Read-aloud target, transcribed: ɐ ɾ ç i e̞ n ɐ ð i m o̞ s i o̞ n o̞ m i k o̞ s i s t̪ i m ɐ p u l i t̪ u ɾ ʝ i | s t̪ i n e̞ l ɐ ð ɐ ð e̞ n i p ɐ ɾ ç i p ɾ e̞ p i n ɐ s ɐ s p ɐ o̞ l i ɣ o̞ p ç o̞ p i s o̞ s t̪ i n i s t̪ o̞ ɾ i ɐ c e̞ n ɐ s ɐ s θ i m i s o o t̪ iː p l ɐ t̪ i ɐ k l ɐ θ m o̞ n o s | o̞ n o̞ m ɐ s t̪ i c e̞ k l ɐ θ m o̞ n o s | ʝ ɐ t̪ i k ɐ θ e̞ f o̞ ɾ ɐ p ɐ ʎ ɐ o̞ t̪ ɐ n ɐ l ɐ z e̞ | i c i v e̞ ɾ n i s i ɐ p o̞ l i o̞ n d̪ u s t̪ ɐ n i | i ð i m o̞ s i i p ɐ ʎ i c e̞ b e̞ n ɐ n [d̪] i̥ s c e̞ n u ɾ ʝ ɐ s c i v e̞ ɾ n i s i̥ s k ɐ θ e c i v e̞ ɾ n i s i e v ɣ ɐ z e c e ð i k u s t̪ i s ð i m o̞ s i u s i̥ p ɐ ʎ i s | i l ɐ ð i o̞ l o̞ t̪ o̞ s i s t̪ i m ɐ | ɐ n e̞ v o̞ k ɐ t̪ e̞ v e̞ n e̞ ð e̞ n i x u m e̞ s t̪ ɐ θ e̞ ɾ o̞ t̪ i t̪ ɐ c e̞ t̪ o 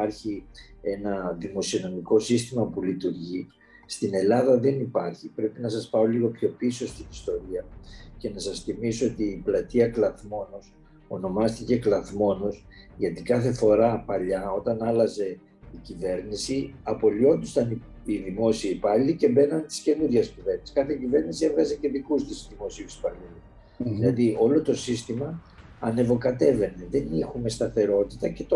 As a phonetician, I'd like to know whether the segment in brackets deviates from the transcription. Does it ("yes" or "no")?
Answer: yes